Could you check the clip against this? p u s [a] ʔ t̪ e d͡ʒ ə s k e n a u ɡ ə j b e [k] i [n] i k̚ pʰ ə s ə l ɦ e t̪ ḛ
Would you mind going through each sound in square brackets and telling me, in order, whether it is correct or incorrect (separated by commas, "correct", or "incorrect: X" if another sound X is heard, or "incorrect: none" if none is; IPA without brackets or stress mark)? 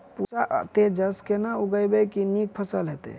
correct, correct, correct